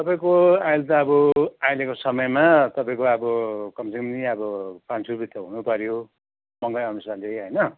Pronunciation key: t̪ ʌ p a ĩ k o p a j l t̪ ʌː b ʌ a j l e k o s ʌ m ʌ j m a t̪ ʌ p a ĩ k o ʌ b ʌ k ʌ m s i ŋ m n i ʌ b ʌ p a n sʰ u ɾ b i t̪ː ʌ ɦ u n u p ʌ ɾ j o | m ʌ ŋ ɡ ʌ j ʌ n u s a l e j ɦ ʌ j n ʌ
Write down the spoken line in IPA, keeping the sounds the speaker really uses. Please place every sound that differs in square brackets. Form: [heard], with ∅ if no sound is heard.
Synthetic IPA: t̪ ʌ p a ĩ k o [∅] a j l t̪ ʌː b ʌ a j l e k o s ʌ m ʌ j m a t̪ ʌ p a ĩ k o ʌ b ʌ k ʌ m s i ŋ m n i ʌ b ʌ p a n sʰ u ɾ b i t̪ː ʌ ɦ u n u p ʌ ɾ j o | m ʌ ŋ ɡ ʌ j ʌ n u s a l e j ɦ ʌ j n ʌ